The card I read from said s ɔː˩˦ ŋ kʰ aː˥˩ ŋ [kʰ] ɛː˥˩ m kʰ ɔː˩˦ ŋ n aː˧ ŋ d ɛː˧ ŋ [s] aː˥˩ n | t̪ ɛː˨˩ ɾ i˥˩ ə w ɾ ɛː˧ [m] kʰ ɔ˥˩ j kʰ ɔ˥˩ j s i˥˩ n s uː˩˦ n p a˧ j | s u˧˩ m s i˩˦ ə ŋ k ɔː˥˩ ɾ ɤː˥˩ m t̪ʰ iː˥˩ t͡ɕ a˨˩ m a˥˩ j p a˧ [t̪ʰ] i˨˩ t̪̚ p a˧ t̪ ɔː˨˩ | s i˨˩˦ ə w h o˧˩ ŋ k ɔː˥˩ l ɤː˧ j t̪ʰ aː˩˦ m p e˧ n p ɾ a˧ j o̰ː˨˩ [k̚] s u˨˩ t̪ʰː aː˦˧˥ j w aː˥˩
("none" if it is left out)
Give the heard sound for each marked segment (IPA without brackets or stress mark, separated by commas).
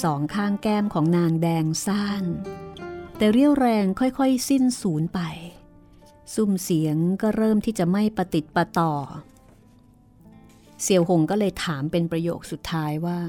k, s, ŋ, t̪, k̚